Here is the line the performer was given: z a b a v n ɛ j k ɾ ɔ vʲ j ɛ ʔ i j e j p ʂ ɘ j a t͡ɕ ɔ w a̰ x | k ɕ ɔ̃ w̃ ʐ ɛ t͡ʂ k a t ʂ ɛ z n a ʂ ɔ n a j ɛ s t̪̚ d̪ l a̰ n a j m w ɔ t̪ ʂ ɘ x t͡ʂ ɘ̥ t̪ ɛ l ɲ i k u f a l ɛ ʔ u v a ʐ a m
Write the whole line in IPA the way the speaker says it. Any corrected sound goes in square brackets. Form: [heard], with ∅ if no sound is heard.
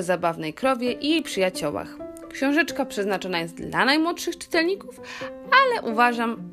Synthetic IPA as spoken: z a b a v n ɛ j k ɾ ɔ vʲ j ɛ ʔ i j e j p ʂ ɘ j a t͡ɕ ɔ w a̰ x | k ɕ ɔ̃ w̃ ʐ ɛ t͡ʂ k a [p] ʂ ɛ z n a [t͡ʂ] ɔ n a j ɛ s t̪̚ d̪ l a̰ n a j m w ɔ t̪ ʂ ɘ x t͡ʂ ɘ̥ t̪ ɛ l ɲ i k u f a l ɛ ʔ u v a ʐ a m